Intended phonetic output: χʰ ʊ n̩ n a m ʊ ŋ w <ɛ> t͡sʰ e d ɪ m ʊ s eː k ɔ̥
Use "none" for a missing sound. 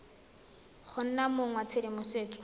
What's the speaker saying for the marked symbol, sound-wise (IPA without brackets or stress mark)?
a